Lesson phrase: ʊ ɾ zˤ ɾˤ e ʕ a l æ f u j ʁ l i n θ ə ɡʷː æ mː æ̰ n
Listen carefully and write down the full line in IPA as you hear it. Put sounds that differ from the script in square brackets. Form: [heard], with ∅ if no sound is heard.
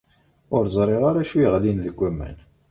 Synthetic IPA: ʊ ɾ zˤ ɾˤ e [ʁ] a [ɾ] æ [ʃ] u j ʁ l i n [ð] ə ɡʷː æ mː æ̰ n

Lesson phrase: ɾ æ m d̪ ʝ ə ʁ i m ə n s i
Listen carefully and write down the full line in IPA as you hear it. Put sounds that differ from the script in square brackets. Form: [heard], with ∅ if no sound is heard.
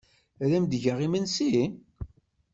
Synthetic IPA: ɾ æ m d̪ ʝ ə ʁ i m ə n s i

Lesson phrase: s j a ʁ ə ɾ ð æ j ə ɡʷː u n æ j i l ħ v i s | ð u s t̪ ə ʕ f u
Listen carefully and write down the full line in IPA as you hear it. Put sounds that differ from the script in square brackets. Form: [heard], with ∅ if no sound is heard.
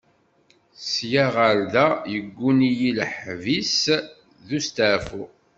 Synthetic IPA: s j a ʁ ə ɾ ð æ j ə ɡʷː u n [i] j i l ħ v i s | ð u s t̪ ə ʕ f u

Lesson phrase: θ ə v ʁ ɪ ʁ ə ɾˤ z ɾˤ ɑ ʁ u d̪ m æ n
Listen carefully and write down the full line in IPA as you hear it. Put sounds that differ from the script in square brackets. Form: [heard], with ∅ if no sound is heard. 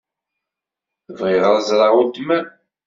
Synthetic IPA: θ ə v ʁ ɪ ʁ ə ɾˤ z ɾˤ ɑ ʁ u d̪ m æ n

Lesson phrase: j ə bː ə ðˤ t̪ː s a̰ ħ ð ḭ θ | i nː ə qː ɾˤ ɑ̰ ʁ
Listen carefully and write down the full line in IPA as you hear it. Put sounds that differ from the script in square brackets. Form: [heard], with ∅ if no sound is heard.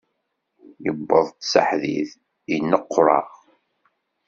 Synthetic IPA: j ə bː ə ðˤ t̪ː s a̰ ħ ð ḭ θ | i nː ə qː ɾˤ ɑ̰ ʁ

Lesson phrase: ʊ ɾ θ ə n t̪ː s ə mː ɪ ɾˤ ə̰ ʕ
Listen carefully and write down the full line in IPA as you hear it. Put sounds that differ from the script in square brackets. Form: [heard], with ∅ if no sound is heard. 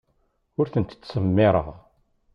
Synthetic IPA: ʊ ɾ θ ə n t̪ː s ə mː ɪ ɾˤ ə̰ [ʁ]

